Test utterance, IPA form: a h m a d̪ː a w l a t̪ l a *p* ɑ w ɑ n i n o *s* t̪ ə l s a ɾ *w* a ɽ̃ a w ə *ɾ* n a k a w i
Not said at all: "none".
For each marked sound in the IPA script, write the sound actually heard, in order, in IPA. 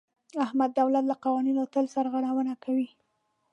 q, none, ɣ, none

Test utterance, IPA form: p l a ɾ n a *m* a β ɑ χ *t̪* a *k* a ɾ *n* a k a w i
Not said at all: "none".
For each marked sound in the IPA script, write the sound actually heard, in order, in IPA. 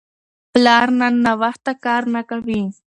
n, t̪, k, n

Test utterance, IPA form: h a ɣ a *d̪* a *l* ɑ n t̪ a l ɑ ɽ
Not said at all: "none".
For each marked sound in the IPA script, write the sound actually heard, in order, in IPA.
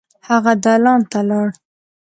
d̪, l

